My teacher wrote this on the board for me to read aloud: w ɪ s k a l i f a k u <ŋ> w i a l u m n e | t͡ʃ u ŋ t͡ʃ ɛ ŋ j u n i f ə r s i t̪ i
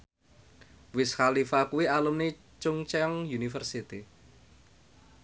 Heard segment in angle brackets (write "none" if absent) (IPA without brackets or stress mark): none